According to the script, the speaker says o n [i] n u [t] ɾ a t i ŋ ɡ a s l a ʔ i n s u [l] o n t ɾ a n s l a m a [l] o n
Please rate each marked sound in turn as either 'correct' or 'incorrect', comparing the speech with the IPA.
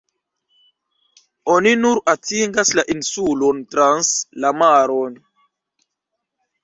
correct, incorrect: none, correct, incorrect: ɾ

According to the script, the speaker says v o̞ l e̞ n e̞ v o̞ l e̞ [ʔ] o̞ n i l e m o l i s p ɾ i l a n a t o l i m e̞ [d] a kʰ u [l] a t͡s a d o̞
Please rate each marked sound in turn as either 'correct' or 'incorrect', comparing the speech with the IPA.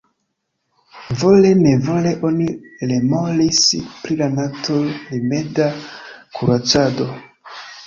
correct, correct, incorrect: ɾ

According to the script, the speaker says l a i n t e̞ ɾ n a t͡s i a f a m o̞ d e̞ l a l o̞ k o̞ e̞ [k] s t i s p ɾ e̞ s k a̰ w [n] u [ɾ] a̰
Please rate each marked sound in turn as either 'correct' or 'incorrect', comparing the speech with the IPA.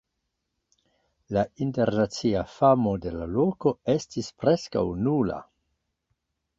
incorrect: none, correct, incorrect: l

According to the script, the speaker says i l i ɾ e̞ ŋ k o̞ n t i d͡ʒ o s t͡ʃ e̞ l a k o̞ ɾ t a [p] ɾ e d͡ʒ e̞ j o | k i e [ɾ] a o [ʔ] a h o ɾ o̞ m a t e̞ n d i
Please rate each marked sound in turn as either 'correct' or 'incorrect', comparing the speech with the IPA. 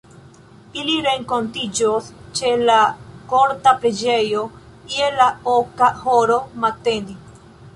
correct, incorrect: l, incorrect: k

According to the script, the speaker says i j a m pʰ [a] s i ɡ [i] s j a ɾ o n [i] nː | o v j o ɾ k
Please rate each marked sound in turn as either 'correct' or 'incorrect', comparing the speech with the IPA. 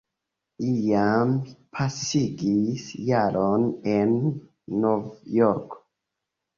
correct, correct, incorrect: e

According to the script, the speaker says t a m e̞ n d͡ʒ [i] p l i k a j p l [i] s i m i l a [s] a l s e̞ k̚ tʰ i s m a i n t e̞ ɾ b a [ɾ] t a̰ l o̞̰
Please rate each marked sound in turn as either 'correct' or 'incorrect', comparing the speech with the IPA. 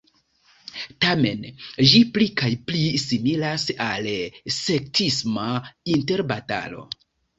correct, correct, correct, incorrect: none

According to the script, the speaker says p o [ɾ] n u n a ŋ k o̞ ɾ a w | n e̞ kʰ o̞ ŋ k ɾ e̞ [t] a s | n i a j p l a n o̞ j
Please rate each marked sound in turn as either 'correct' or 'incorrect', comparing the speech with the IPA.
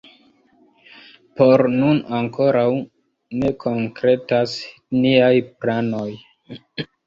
correct, correct

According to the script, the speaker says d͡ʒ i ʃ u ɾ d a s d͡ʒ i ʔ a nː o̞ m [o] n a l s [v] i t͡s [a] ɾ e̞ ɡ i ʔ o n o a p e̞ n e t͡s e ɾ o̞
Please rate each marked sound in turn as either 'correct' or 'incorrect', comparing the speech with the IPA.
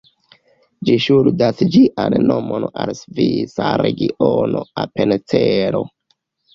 correct, correct, correct

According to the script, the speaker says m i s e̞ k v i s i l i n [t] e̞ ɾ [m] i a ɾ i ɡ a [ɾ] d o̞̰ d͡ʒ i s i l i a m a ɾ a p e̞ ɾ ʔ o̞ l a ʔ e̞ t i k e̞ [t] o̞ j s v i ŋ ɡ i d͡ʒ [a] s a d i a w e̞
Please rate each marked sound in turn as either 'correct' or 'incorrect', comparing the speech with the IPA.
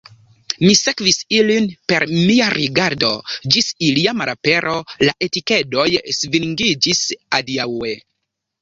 incorrect: p, correct, correct, incorrect: d, incorrect: i

